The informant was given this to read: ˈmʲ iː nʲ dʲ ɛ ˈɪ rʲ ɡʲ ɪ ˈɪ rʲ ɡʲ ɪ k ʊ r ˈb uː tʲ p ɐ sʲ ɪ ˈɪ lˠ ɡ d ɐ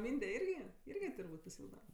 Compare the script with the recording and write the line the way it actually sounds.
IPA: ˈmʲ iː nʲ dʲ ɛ ˈɪ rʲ ɡʲ ɪ ˈɪ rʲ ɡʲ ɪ t ʊ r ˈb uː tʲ p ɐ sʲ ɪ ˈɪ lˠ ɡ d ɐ